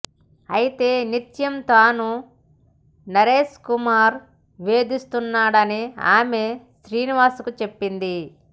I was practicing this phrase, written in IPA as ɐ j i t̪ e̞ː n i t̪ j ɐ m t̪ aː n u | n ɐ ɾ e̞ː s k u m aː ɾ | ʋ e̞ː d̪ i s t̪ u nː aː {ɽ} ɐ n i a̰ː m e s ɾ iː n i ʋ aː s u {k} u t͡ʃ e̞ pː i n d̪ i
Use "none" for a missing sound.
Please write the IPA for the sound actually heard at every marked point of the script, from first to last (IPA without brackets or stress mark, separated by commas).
ɽ, k